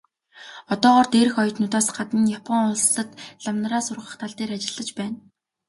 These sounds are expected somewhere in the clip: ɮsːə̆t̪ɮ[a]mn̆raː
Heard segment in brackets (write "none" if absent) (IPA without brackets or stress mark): a